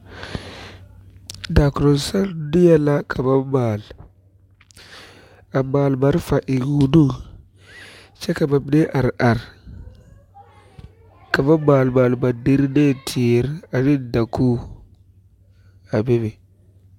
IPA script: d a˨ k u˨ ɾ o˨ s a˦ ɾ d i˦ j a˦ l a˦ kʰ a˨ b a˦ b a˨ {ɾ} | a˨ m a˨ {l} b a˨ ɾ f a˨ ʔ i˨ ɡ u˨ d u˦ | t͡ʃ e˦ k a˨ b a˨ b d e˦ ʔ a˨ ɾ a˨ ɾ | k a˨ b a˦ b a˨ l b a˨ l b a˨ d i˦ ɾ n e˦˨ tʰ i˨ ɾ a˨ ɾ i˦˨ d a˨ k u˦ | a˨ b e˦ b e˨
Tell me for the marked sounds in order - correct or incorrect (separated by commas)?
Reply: incorrect, correct